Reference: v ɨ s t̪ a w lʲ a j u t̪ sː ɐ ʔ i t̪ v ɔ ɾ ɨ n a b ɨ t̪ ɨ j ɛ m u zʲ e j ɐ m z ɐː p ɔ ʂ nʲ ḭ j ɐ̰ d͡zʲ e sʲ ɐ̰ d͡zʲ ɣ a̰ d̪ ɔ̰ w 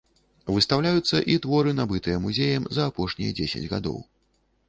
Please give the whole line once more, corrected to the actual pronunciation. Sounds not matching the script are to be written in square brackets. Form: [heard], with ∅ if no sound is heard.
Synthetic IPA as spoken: v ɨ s t̪ a w lʲ a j u t̪ sː ɐ ʔ i t̪ v ɔ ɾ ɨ n a b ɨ t̪ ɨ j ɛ m u zʲ e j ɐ m z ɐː p ɔ ʂ nʲ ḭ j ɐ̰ d͡zʲ e sʲ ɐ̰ d͡zʲ ɣ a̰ d̪ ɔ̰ w